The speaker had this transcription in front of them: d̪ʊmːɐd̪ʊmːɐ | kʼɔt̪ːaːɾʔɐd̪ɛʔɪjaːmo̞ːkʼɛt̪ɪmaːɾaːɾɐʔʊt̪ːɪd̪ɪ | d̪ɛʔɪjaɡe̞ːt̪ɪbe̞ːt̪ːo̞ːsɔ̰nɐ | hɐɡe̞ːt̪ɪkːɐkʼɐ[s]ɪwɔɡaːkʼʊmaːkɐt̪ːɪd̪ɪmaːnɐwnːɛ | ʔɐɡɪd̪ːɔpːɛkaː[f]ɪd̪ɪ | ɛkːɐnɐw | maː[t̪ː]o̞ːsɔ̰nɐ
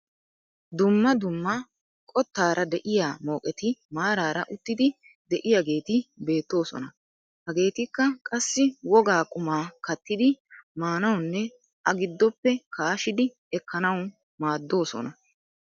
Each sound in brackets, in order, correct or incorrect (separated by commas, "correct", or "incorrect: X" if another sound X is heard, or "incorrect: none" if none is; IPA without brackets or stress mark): incorrect: sː, incorrect: ʃ, incorrect: d̪ː